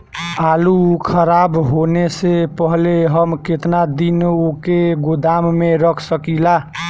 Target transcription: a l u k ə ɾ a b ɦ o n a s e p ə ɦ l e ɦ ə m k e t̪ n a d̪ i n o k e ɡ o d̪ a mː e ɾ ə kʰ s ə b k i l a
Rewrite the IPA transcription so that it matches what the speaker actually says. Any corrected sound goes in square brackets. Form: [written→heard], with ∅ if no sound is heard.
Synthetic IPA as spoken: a l u [k→kʰ] ə ɾ a b ɦ o n [a→e] s e p ə ɦ l e ɦ ə m k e t̪ n a d̪ i n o k e ɡ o d̪ a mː e ɾ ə kʰ s ə [b→∅] k i l a